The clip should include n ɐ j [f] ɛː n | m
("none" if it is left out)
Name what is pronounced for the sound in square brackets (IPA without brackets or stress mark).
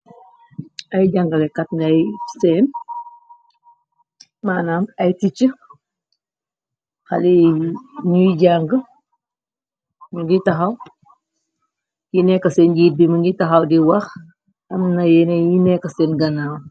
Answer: s